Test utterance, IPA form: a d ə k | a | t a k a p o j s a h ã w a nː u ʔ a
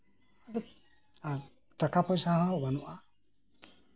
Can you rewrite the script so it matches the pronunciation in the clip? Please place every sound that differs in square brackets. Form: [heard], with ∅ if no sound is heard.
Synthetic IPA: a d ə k | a | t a k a p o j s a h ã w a [n] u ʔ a